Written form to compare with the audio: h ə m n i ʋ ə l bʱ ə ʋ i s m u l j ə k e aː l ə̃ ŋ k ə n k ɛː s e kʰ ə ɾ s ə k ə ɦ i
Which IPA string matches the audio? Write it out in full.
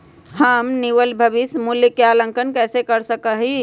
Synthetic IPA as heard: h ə m n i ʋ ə l bʱ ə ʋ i s m u l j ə k e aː l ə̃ ŋ k ə n k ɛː s e k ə ɾ s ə k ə ɦ i